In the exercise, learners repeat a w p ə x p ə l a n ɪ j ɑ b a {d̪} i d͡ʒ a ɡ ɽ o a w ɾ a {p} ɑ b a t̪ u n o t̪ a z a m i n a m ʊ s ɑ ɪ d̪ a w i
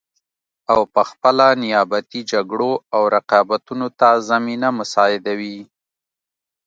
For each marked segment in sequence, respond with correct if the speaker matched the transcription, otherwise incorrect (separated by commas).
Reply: incorrect, incorrect